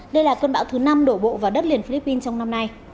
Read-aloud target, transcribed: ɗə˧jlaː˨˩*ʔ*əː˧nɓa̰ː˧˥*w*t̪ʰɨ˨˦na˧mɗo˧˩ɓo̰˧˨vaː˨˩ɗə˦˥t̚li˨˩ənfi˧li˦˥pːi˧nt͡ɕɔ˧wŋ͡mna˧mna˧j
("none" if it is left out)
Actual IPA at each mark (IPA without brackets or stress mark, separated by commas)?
k, w